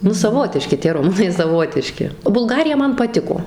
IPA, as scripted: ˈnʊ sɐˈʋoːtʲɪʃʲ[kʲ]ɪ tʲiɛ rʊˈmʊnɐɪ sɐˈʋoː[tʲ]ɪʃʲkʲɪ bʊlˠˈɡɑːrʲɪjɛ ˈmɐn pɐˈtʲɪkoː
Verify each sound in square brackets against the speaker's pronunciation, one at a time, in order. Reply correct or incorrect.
correct, correct

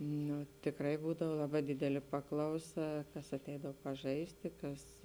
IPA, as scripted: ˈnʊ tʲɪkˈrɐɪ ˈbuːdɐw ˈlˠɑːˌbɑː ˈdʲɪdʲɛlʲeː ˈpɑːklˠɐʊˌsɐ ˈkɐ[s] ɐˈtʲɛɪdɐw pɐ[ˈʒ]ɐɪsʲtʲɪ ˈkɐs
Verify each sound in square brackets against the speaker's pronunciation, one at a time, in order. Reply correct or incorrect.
correct, correct

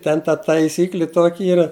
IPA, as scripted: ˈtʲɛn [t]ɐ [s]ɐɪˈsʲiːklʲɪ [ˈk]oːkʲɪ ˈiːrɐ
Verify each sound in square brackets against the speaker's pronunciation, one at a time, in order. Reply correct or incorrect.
correct, incorrect, incorrect

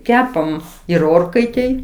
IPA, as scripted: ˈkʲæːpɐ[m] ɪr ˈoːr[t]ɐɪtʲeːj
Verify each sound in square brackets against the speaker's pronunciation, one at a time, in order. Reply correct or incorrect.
correct, incorrect

